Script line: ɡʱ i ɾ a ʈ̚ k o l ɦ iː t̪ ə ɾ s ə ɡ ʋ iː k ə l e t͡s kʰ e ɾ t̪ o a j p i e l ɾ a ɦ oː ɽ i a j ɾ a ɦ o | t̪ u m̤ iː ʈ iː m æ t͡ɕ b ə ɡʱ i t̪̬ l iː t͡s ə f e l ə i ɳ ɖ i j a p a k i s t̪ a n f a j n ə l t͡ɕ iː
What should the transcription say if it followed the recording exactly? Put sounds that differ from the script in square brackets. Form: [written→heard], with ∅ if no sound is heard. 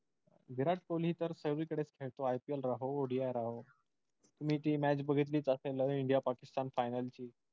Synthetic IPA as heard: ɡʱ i ɾ a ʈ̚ k o l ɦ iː t̪ ə ɾ s ə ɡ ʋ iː k ə [l→ɽ] e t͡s kʰ e [ɾ→ɭ] t̪ o a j p i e l ɾ a ɦ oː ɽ i a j ɾ a ɦ o | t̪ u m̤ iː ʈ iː m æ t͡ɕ b ə ɡʱ i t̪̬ l iː t͡s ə [f→s] e l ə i ɳ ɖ i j a p a k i s t̪ a n f a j n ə l t͡ɕ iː